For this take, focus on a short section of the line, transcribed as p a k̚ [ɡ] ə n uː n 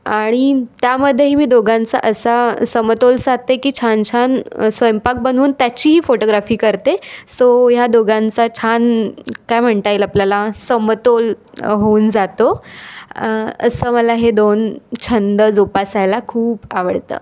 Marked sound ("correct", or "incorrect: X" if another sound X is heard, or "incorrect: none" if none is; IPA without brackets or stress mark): incorrect: b